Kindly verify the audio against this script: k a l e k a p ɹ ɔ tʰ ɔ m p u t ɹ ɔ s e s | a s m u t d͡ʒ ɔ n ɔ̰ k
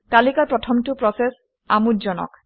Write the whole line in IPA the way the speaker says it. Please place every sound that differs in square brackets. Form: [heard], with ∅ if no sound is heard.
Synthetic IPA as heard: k a l [i] k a p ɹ ɔ tʰ ɔ m [t] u [p] ɹ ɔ s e s | a [∅] m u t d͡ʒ ɔ n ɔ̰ k